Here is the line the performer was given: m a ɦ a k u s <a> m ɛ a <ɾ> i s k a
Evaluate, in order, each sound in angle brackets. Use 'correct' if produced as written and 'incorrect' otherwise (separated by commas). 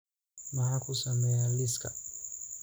correct, incorrect